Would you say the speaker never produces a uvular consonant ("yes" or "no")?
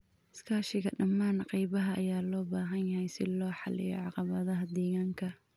no